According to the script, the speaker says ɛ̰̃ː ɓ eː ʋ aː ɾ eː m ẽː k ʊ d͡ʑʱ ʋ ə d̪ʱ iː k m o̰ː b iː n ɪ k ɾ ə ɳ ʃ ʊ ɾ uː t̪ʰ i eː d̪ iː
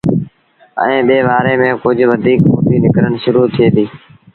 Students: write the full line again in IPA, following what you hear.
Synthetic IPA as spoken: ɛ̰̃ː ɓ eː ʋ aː ɾ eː m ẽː k ʊ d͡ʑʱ ʋ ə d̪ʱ iː k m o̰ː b iː n ɪ k ɾ ə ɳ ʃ ʊ ɾ uː t̪ʰ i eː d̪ iː